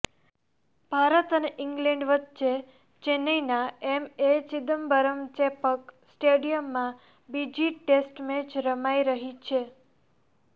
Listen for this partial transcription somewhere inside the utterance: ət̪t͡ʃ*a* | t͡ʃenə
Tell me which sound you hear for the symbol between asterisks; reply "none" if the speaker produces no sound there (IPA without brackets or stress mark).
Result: e